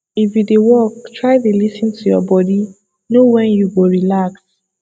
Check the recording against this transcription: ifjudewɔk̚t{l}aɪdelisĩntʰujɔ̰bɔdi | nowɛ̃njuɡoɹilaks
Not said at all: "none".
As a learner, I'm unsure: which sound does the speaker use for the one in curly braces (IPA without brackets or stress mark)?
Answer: ɹ